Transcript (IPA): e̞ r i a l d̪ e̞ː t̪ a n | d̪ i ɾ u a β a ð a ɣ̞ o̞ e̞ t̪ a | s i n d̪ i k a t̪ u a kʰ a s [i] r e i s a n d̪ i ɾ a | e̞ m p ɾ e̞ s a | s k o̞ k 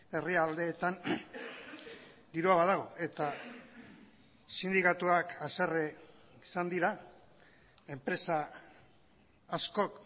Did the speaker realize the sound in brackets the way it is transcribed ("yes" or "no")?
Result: no